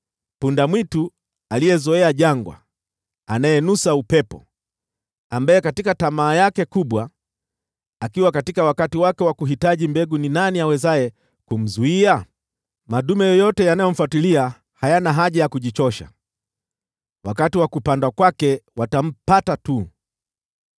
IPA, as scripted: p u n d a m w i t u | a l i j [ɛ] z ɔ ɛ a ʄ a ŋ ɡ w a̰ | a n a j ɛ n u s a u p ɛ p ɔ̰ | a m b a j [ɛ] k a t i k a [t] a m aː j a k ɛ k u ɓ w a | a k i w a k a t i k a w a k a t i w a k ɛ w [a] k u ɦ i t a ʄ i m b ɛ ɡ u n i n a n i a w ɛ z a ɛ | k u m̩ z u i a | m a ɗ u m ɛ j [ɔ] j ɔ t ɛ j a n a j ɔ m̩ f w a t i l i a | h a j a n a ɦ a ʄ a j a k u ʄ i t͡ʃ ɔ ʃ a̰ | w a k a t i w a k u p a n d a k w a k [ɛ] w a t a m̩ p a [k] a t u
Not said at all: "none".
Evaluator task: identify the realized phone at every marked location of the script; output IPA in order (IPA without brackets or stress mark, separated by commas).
ɛ, ɛ, t, a, ɔ, ɛ, t